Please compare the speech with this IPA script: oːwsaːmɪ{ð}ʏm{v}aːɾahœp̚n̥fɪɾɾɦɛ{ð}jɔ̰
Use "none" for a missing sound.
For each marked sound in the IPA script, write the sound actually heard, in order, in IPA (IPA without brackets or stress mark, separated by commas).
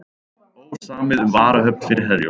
ð, v, ð